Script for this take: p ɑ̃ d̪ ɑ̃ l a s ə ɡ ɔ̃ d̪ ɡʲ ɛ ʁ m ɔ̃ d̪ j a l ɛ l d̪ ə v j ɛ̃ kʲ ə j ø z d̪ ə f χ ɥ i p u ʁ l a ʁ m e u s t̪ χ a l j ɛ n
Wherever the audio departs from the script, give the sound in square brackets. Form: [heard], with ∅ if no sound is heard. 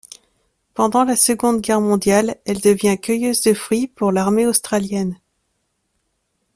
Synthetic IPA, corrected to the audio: p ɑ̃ d̪ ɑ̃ l a s ə ɡ ɔ̃ d̪ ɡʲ ɛ ʁ m ɔ̃ d̪ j a l ɛ l d̪ ə v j ɛ̃ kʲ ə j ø z d̪ ə f χ ɥ i p u ʁ l a ʁ m e [o] s t̪ χ a l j ɛ n